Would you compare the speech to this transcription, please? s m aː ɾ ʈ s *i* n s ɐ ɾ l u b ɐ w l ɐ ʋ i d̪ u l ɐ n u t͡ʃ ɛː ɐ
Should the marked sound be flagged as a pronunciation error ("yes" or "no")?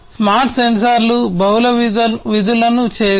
yes